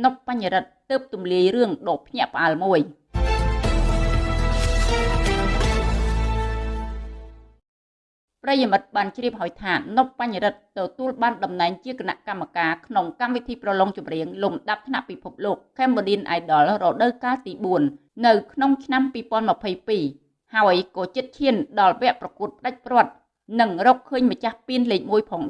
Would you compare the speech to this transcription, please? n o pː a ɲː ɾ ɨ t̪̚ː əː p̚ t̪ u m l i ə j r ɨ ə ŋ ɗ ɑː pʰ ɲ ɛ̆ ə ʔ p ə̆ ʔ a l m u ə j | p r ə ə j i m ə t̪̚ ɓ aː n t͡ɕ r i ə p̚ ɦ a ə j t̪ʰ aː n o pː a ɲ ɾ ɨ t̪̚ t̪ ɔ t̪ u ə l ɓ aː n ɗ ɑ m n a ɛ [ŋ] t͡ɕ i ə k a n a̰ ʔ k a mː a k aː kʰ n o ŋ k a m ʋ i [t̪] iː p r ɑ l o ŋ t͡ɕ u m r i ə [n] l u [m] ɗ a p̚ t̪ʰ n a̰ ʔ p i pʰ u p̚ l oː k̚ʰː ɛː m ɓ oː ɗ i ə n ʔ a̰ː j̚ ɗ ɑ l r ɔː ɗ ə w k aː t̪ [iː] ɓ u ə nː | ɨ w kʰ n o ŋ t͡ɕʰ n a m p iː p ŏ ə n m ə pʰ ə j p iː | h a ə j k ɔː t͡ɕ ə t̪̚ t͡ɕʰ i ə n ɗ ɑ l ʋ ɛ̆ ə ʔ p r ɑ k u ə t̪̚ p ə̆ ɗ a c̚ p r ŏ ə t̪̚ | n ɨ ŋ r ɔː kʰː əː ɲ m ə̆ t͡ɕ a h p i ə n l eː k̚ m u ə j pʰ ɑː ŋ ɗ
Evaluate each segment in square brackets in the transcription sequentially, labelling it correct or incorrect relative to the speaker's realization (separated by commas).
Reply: correct, incorrect, incorrect, correct, correct